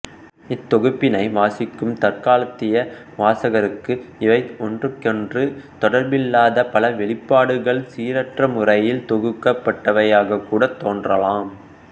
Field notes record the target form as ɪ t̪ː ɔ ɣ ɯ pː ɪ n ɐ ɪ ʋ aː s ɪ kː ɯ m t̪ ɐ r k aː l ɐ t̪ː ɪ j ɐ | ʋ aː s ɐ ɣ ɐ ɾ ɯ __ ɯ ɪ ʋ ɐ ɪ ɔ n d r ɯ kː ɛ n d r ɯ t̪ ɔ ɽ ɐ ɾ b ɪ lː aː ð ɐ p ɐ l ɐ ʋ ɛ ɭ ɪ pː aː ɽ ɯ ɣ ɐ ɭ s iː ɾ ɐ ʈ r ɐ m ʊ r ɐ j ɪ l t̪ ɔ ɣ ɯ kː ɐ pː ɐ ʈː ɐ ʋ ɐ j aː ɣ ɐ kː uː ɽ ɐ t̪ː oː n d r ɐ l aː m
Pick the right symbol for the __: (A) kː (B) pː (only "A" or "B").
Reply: A